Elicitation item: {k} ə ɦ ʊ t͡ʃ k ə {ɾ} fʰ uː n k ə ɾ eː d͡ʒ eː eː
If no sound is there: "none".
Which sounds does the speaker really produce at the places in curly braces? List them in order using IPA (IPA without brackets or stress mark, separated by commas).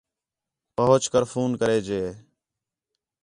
p, ɾ